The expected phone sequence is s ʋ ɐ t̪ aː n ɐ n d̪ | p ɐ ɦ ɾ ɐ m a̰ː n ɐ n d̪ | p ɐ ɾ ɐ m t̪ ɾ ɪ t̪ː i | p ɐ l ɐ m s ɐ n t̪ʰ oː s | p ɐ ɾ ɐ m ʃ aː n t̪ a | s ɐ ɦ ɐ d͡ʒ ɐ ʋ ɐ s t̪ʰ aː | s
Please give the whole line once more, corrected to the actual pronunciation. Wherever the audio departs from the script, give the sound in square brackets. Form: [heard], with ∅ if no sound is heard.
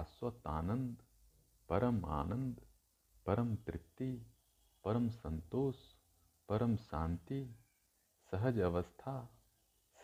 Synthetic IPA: s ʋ ɐ t̪ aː n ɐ n d̪ | p ɐ [∅] ɾ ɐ m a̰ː n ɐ n d̪ | p ɐ ɾ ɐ m t̪ ɾ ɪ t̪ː i | p ɐ [ɾ] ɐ m s ɐ n [t̪] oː s | p ɐ ɾ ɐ m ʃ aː n t̪ [i] | s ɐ ɦ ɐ d͡ʒ ɐ ʋ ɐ s t̪ʰ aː | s